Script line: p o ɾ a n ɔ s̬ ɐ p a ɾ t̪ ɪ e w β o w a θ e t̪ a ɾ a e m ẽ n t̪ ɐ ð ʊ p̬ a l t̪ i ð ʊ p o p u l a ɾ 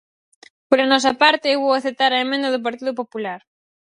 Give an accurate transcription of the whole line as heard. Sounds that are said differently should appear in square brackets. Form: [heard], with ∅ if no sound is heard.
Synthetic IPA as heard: p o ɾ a n ɔ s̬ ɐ p a ɾ t̪ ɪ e w β o w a θ e t̪ a ɾ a e m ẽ n [d̪] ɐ ð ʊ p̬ a [ɾ] t̪ i ð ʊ p o p u l a ɾ